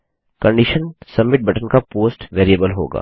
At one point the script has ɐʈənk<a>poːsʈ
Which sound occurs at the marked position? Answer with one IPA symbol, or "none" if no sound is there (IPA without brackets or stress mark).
a